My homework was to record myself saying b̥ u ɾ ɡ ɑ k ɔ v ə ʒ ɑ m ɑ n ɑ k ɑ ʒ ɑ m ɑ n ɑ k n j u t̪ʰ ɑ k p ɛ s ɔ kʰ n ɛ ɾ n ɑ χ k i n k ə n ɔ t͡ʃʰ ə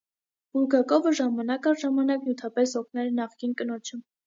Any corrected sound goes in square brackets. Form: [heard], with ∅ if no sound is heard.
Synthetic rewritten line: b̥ u ɾ ɡ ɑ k ɔ v ə ʒ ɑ m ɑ n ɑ k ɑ ʒ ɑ m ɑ n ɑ k n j u t̪ʰ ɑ [∅] p ɛ s ɔ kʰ n ɛ ɾ n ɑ χ k i n k ə n ɔ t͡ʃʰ ə